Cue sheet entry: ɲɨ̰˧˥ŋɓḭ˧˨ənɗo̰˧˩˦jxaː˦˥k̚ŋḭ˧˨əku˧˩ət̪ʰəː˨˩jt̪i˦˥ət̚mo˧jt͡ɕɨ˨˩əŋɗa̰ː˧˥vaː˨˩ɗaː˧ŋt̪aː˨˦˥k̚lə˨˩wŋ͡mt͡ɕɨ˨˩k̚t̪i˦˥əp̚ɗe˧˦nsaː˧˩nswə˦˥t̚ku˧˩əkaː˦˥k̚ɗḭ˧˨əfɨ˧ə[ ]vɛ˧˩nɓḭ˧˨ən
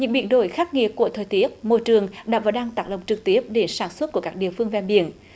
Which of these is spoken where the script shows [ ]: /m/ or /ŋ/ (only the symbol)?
ŋ